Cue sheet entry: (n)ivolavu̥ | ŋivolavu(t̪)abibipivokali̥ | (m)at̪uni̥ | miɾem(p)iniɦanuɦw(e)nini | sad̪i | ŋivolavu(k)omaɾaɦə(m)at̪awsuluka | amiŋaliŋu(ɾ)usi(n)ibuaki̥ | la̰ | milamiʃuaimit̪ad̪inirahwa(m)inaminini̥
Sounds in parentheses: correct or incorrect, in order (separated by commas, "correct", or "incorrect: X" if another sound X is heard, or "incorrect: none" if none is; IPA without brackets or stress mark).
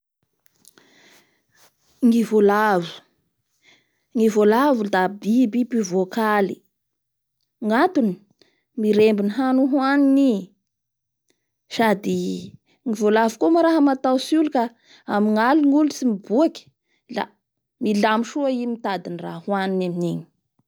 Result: incorrect: ŋ, incorrect: d̪, incorrect: ŋ, incorrect: b, incorrect: a, correct, correct, incorrect: l, incorrect: m, incorrect: n